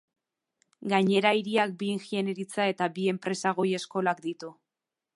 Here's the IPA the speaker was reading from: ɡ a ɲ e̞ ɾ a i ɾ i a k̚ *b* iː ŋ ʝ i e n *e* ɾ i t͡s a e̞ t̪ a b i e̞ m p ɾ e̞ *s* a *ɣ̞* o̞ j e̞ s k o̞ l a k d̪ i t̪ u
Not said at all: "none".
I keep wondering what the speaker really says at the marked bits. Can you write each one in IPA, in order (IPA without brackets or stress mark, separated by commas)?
b, e, s, ɣ̞